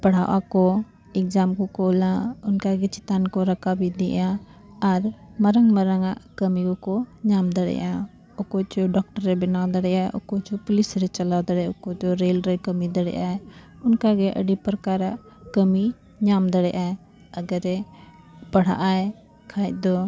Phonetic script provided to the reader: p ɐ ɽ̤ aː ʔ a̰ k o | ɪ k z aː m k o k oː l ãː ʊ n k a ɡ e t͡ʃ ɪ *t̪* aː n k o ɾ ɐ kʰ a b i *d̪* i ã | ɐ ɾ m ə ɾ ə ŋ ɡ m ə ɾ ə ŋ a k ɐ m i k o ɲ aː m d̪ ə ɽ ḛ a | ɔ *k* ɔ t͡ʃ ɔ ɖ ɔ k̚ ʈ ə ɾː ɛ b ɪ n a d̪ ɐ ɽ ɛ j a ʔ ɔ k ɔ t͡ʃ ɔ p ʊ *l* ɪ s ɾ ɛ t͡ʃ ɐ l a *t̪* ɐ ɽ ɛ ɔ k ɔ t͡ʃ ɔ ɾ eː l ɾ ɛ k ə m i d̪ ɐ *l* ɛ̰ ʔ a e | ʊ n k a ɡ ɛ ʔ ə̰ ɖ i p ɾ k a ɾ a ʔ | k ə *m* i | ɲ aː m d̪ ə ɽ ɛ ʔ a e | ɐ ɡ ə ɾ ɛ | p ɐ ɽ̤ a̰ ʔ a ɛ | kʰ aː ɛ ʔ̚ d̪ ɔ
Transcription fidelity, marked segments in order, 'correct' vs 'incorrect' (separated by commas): correct, correct, correct, correct, incorrect, incorrect, correct